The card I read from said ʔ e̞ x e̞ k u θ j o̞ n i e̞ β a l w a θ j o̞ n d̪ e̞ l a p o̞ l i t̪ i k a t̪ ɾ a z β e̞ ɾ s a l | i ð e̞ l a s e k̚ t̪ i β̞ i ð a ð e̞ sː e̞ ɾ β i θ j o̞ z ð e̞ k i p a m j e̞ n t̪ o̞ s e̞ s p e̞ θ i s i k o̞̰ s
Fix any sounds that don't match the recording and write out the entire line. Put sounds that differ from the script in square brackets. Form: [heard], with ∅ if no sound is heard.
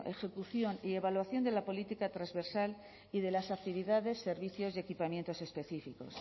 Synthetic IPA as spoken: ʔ e̞ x e̞ k u θ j o̞ n i e̞ β a l w a θ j o̞ n d̪ e̞ l a p o̞ l i t̪ i k a t̪ ɾ a z β e̞ ɾ s a l | i ð e̞ l a s [a] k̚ t̪ i β̞ i ð a ð e̞ sː e̞ ɾ β i θ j o̞ z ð e̞ k i p a m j e̞ n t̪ o̞ s e̞ s p e̞ θ i [f] i k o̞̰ s